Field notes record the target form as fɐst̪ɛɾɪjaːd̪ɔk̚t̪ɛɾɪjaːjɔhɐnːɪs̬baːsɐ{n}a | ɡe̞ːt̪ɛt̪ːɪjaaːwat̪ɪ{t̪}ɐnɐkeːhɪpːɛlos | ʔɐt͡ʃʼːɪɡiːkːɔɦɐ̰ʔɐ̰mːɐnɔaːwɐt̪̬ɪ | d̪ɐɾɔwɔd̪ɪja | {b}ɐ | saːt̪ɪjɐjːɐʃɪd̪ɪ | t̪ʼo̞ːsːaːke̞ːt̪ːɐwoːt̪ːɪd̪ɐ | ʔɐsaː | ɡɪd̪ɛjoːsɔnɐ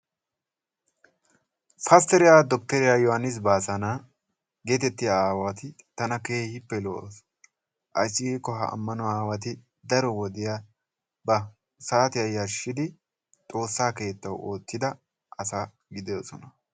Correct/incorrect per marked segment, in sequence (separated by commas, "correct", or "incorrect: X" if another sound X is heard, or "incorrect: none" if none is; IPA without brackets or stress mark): correct, correct, correct